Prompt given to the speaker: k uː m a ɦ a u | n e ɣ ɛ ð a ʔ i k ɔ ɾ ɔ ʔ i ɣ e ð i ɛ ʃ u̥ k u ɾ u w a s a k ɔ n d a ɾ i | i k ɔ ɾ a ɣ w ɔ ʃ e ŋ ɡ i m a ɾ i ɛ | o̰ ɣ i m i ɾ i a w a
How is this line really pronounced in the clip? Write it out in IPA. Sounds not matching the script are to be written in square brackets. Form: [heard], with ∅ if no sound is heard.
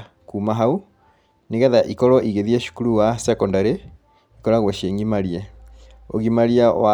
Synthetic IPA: k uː m a ɦ a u | n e ɣ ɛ ð a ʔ i k ɔ ɾ ɔ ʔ i ɣ e ð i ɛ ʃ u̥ k u ɾ u w a s [ɛ] k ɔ n d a ɾ [e] | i k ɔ ɾ a ɣ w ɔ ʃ e ŋ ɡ i m a ɾ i ɛ | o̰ ɣ i m [a] ɾ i a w a